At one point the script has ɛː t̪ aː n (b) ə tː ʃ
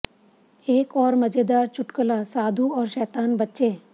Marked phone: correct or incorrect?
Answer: correct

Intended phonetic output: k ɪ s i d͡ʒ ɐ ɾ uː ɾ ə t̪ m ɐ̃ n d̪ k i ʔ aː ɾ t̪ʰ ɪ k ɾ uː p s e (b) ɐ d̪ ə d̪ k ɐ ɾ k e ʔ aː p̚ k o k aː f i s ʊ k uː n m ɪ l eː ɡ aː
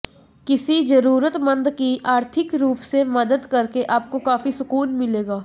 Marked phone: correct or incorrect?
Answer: incorrect: m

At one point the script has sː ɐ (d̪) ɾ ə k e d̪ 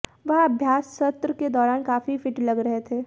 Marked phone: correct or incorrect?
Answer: incorrect: t̪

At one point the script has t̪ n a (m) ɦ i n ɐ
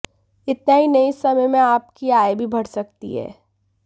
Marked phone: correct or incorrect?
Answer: incorrect: none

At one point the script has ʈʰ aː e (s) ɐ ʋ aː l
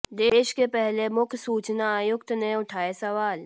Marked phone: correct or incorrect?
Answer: correct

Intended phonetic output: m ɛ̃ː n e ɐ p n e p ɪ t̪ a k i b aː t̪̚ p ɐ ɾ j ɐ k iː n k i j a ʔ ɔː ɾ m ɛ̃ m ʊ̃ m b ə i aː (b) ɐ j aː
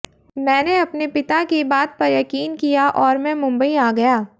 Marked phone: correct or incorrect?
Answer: incorrect: ɡ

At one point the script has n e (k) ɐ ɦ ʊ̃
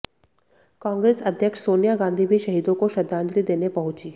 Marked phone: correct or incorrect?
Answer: incorrect: p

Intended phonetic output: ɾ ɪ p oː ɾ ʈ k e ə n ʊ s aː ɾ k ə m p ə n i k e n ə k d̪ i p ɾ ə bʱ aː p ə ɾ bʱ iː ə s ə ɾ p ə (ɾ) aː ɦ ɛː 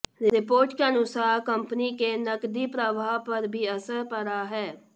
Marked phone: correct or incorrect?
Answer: correct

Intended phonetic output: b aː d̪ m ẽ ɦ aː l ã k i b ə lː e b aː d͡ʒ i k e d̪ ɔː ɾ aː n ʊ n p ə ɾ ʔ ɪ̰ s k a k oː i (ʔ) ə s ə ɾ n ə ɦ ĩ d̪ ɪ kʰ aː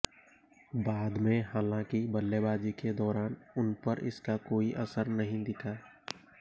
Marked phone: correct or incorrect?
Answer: correct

